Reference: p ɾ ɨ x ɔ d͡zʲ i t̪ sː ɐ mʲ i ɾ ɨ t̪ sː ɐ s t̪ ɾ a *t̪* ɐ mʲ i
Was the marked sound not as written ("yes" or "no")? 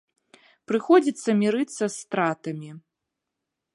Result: no